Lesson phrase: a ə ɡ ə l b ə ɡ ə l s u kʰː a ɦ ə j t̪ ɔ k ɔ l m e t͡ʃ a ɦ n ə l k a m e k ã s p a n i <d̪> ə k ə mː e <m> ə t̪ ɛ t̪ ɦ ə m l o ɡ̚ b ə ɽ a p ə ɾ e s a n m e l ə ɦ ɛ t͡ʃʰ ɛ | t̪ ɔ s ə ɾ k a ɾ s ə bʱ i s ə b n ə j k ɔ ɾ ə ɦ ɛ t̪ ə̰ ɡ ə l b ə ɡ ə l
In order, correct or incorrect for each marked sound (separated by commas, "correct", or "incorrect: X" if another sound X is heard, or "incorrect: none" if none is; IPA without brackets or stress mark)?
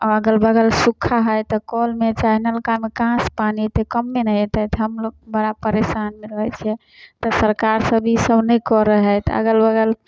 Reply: incorrect: t̪, incorrect: n